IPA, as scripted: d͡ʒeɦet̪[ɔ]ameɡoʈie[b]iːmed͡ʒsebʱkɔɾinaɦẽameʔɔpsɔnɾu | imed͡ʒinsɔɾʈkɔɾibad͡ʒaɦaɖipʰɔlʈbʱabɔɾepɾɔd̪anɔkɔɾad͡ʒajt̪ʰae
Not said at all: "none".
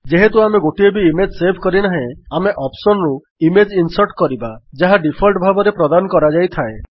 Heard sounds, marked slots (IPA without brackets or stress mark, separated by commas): u, b